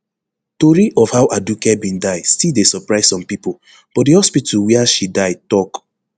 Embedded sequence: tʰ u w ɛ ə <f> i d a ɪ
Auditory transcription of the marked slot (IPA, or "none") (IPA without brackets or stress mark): ʃ